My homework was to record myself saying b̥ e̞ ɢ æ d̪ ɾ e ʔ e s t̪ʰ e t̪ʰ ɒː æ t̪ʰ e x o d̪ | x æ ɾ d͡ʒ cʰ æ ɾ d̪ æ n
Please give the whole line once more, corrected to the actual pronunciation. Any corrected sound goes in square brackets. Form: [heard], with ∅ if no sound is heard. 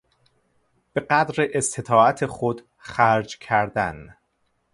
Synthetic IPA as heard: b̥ e̞ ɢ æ d̪ ɾ e ʔ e s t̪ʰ e t̪ʰ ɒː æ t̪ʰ e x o d̪ | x æ ɾ d͡ʒ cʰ æ ɾ d̪ æ n